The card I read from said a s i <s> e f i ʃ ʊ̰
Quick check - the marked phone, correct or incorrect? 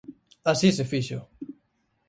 correct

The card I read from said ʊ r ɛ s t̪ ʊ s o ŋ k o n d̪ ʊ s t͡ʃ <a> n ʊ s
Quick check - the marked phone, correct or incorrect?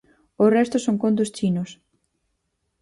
incorrect: i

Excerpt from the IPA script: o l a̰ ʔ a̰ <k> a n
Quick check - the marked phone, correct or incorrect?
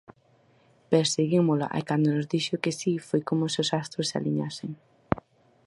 correct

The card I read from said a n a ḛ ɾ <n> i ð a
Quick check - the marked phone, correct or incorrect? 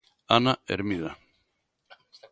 incorrect: m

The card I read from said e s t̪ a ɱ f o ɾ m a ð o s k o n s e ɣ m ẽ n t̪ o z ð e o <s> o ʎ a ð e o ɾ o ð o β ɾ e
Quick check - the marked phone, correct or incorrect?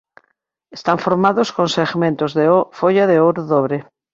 incorrect: f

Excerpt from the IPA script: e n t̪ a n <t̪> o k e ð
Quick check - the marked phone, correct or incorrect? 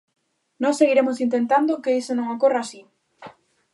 incorrect: d̪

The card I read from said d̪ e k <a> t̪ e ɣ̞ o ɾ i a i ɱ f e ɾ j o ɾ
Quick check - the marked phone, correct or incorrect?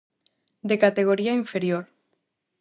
correct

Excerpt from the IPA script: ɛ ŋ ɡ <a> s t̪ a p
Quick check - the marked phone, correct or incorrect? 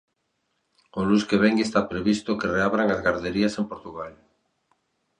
incorrect: e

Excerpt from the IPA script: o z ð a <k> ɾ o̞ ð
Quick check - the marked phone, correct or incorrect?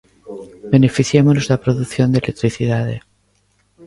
incorrect: p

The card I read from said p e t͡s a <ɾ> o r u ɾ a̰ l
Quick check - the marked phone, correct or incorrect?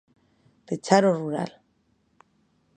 correct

